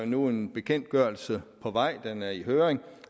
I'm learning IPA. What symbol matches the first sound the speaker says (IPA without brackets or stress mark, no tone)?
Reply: n